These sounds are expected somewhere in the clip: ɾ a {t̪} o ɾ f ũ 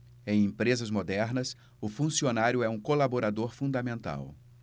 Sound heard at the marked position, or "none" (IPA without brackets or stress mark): d̪